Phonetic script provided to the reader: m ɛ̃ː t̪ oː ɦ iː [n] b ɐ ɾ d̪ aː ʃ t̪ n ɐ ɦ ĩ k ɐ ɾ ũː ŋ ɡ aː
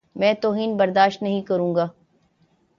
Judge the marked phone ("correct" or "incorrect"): correct